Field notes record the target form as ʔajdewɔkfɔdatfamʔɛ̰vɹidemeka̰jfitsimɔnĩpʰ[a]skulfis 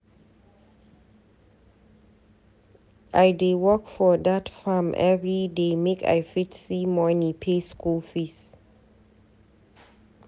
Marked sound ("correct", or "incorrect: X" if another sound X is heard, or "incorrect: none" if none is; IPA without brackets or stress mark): incorrect: e